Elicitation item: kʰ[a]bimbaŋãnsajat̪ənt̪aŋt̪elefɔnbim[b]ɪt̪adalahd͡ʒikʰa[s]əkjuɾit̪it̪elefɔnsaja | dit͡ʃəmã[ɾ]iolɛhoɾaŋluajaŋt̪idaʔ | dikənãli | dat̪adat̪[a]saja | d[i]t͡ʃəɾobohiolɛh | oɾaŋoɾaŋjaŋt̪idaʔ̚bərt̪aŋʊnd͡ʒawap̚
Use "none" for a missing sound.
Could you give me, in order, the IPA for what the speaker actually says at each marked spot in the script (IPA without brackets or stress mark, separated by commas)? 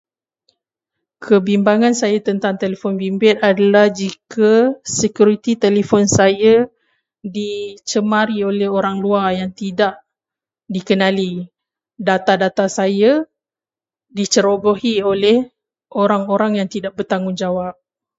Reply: ə, b, s, ɾ, a, i